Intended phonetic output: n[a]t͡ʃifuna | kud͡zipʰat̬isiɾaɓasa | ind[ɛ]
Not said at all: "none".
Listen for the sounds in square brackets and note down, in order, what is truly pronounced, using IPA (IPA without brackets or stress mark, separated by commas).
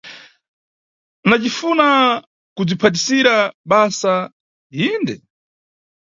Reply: a, ɛ